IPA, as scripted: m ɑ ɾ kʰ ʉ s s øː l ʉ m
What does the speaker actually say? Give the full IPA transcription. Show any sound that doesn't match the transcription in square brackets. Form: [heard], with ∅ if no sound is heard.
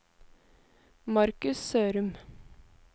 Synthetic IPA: m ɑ ɾ [k] ʉ s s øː [ɾ] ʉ m